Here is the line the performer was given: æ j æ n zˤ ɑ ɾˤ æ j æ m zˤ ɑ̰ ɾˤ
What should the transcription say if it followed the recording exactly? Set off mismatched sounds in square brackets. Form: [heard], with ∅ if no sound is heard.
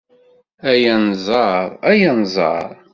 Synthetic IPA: æ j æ n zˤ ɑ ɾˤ æ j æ [n] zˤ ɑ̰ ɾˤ